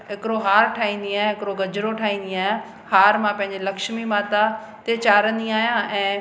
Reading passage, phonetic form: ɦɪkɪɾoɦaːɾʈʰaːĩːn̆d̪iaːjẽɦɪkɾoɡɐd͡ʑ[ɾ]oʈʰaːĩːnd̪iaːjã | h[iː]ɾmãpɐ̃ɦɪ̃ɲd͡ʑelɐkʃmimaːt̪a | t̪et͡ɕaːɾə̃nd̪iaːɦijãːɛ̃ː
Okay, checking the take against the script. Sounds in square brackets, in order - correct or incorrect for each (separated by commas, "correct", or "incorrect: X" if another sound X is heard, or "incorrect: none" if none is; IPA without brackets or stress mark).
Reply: correct, incorrect: aː